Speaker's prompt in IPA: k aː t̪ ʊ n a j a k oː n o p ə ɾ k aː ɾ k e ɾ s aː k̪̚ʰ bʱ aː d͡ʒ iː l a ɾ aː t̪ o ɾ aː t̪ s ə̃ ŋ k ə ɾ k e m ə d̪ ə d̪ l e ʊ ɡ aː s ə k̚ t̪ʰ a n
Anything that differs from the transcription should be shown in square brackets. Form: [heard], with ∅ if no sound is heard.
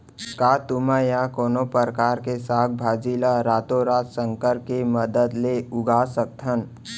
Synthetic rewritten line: k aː t̪ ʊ [m] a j a k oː n o p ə ɾ k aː ɾ k e [∅] s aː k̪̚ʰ bʱ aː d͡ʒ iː l a ɾ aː t̪ o ɾ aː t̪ s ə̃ ŋ k ə ɾ k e m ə d̪ ə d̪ l e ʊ ɡ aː s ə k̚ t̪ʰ [ə] n